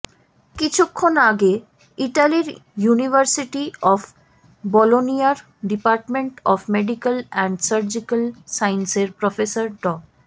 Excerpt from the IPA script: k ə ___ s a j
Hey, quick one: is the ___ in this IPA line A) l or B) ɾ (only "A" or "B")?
A